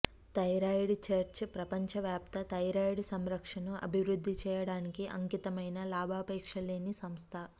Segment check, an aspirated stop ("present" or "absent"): present